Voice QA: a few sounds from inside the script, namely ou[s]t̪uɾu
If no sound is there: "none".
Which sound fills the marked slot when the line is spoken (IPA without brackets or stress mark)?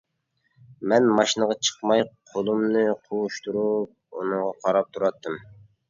ʃ